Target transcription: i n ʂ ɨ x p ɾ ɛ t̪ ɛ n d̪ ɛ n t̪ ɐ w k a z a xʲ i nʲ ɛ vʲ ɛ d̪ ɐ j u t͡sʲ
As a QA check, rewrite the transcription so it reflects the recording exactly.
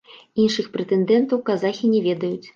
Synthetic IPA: i n ʂ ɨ x p ɾ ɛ t̪ ɛ n d̪ ɛ n t̪ ɐ w k a z a xʲ i nʲ ɛ vʲ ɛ d̪ ɐ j u t͡sʲ